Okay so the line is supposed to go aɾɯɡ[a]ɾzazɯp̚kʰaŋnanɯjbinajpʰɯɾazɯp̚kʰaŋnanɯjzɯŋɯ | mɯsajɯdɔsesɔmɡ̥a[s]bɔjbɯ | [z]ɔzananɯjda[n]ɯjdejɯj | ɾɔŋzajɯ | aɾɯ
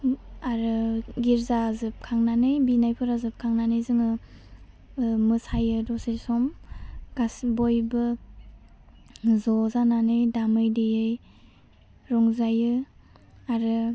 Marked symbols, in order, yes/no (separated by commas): no, yes, yes, no